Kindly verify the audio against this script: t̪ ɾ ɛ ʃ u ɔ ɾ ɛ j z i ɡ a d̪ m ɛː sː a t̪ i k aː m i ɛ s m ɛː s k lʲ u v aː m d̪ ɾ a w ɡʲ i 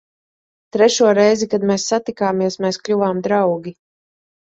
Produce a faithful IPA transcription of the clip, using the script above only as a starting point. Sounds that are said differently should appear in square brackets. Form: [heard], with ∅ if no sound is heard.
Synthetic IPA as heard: t̪ ɾ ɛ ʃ u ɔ ɾ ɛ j z i [k] a d̪ m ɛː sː a t̪ i k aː m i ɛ s m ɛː s k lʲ u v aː m d̪ ɾ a w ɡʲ i